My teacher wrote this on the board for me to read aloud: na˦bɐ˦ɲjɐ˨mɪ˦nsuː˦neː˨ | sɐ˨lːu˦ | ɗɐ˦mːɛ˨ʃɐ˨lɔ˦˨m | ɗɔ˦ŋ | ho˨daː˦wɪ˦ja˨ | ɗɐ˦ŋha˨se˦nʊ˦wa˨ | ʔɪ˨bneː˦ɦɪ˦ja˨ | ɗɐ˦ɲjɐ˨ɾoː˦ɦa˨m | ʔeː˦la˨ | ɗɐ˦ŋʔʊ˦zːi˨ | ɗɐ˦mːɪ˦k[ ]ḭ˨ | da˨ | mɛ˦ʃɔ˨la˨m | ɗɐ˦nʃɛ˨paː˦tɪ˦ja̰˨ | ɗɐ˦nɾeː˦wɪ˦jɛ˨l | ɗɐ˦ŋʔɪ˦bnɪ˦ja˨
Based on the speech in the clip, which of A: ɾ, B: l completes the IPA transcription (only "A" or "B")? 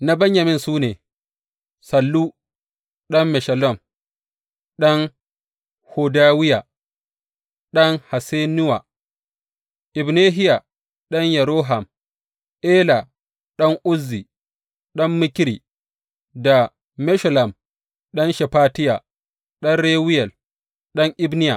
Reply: A